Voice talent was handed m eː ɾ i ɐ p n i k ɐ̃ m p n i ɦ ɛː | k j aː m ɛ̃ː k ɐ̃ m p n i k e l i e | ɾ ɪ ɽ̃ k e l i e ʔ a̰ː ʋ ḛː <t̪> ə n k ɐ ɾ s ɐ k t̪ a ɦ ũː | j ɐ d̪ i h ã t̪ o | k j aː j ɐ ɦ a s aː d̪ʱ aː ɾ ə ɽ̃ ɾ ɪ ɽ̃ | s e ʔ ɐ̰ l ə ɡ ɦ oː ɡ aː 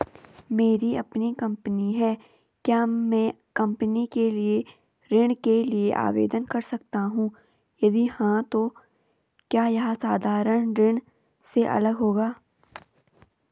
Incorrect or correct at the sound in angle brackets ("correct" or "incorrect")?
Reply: incorrect